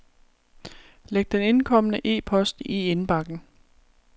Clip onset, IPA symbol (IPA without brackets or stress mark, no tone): l